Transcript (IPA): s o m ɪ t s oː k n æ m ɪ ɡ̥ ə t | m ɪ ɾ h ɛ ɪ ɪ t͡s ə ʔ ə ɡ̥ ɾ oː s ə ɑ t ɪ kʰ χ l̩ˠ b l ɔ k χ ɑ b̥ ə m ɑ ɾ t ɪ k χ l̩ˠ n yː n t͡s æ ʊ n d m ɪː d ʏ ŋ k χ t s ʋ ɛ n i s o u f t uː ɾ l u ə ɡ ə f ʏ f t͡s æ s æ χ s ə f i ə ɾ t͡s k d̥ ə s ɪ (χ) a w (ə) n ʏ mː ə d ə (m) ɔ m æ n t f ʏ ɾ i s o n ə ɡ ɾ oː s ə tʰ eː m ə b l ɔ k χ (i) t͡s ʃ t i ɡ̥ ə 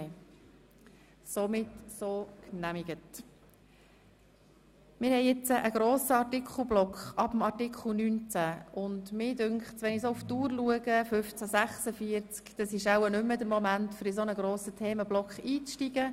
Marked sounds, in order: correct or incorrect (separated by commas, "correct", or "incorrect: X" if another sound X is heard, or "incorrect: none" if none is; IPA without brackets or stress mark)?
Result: incorrect: ʃ, correct, correct, incorrect: iː